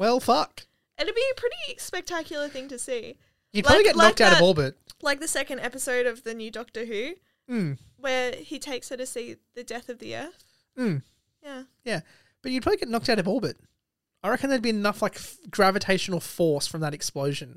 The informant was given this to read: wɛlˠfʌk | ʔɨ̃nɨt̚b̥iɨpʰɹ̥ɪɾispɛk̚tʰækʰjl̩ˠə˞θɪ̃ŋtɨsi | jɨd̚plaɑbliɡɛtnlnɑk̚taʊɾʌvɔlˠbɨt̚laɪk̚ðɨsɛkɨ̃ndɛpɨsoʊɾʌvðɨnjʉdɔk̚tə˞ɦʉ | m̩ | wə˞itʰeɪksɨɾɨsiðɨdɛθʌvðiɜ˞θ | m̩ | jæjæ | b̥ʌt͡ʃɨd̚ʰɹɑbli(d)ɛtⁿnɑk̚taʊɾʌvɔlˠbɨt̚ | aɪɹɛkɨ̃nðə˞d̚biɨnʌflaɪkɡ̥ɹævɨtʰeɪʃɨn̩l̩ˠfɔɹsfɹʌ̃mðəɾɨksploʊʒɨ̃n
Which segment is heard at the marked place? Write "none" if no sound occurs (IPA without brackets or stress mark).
ɡ